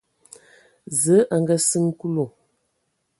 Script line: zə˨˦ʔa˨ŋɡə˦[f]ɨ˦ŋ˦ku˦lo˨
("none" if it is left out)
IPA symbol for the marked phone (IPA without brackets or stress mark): s